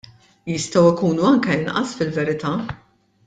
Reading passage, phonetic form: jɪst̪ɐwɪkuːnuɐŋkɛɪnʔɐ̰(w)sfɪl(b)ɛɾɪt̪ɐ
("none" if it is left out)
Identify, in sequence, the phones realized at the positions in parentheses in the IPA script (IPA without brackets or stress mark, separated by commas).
none, v